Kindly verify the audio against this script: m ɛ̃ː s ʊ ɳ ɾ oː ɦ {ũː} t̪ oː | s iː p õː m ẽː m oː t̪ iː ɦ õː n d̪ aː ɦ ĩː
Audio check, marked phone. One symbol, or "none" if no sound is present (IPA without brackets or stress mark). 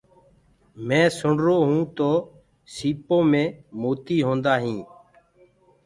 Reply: ũː